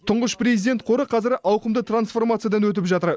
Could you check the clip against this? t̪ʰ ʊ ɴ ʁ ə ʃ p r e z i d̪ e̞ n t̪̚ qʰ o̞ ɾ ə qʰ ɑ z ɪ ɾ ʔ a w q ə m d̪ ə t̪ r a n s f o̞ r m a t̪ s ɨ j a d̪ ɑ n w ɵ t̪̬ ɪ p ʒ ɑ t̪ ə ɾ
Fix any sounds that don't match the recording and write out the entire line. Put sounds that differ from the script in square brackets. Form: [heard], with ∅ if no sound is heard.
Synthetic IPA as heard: t̪ʰ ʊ ɴ ʁ ə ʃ p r e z i d̪ e̞ n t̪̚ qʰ o̞ ɾ ə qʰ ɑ z ɪ ɾ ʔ [ɑ] w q ə m d̪ ə t̪ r a n s f o̞ r m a t̪ s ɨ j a d̪ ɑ n w ɵ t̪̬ ɪ p ʒ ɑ t̪ ə ɾ